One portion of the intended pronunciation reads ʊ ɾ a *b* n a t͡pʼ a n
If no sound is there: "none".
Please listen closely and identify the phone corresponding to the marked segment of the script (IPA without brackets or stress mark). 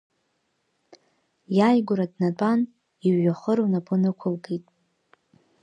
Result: d